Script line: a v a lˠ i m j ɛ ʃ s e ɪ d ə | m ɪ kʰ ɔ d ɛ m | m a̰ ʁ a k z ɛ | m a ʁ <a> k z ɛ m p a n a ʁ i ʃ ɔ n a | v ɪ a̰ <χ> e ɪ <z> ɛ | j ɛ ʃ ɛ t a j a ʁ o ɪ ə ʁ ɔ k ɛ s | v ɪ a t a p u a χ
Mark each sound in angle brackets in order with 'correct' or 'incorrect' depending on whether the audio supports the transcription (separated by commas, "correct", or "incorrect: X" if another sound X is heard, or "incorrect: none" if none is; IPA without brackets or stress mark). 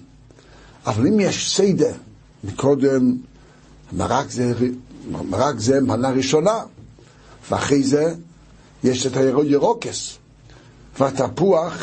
correct, correct, correct